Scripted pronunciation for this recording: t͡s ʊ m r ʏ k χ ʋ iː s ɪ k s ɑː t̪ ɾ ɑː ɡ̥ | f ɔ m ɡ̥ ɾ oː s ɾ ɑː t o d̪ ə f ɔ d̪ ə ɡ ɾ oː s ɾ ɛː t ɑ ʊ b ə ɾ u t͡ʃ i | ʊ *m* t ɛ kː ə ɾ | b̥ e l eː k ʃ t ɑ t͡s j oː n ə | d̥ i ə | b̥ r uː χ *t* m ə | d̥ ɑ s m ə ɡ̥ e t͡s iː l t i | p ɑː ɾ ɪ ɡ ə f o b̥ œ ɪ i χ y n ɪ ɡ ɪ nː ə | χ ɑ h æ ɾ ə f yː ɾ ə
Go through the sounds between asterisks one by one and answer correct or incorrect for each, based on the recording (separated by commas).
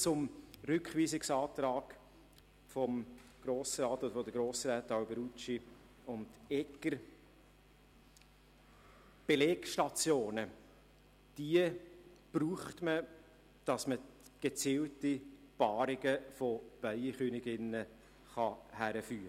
incorrect, correct